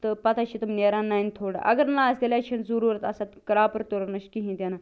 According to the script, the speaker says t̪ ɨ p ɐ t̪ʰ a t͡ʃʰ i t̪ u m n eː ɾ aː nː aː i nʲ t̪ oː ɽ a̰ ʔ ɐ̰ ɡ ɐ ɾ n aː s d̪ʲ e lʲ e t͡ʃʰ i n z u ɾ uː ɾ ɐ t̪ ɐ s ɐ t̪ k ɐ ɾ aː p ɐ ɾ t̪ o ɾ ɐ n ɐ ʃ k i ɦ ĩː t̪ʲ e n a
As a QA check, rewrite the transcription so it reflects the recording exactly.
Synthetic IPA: t̪ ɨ p ɐ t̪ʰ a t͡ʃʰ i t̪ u m n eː ɾ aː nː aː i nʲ t̪ʰ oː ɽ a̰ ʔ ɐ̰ ɡ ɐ ɾ n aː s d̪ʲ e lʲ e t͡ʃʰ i n z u ɾ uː ɾ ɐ t̪ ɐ s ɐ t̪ k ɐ ɾ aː p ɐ ɾ t̪ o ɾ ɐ n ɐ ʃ k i ɦ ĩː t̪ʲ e n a